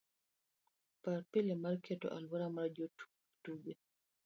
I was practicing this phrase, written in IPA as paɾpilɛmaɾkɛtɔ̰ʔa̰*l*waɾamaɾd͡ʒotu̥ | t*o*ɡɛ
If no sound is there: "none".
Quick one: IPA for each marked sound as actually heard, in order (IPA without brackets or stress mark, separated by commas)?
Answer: l, u